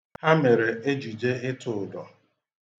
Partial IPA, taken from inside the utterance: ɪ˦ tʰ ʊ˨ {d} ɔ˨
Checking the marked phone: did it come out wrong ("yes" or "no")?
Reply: no